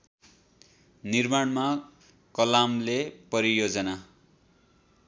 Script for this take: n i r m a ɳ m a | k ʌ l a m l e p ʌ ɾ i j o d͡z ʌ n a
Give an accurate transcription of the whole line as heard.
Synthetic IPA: n i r m a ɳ m a | k ʌ l a m l e p ʌ ɾ i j o d͡z ʌ n a